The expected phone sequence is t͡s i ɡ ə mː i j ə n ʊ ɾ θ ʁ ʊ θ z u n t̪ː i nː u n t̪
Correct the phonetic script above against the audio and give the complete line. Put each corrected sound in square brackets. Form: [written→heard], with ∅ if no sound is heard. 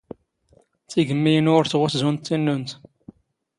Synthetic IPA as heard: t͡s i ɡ ə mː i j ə n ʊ ɾ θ ʁ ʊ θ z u n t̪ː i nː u n t̪